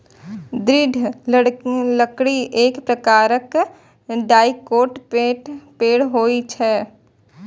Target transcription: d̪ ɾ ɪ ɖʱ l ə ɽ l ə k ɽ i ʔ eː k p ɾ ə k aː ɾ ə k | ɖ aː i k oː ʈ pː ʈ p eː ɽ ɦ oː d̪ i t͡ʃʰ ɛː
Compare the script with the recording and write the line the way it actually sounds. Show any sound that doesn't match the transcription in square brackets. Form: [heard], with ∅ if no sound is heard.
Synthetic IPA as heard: d̪ ɾ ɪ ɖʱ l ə ɽ l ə k ɽ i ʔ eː k p ɾ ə k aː ɾ ə k | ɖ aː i k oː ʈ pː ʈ p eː ɽ ɦ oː [∅] i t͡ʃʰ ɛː